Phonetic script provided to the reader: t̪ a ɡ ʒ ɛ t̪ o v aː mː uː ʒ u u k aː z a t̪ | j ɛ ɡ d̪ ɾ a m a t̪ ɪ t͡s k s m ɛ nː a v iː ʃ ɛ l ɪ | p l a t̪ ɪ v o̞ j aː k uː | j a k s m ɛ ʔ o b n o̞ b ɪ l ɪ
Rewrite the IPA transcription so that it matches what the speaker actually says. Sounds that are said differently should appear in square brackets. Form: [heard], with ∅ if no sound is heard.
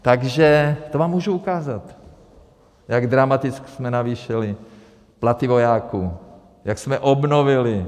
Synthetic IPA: t̪ a ɡ ʒ ɛ t̪ o v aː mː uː ʒ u u k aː z a t̪ | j [a] ɡ d̪ ɾ a m a t̪ ɪ t͡s k s m ɛ [n] a v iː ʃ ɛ l ɪ | p l a t̪ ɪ v o̞ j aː k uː | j a k s m ɛ ʔ o b n o̞ [v] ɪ l ɪ